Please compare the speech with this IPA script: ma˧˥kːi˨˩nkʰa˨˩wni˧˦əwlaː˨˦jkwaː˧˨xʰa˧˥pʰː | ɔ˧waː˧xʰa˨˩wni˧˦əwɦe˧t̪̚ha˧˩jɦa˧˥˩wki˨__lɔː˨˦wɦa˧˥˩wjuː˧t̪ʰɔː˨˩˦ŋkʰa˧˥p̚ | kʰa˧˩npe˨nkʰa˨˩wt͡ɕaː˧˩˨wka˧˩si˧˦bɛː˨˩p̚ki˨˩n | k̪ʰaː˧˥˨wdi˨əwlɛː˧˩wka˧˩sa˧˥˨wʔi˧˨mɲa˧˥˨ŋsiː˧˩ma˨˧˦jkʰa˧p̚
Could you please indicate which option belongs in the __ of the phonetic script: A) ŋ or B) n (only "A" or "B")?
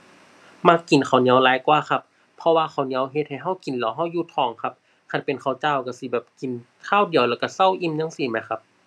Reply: B